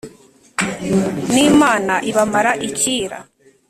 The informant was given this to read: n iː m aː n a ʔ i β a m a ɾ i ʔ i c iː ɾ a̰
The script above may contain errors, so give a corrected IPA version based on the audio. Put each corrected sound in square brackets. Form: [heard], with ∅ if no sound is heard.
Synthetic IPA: n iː m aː n a ʔ i β a m a ɾ [a] ʔ i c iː ɾ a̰